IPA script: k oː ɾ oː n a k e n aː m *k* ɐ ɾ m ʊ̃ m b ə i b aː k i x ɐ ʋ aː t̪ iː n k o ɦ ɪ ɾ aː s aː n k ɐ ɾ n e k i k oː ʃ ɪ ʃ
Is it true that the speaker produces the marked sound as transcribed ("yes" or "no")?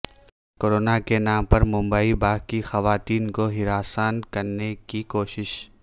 no